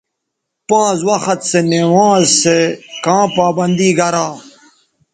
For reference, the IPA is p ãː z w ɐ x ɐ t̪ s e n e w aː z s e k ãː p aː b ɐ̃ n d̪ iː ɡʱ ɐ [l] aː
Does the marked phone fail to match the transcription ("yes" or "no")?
yes